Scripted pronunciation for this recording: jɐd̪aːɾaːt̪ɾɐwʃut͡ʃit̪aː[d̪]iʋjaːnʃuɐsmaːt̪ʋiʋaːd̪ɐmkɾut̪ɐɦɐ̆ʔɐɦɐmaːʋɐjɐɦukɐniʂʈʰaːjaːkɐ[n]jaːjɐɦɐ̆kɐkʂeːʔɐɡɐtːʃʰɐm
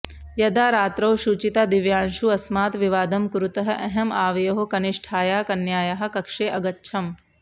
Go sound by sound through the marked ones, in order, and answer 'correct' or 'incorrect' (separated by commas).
correct, correct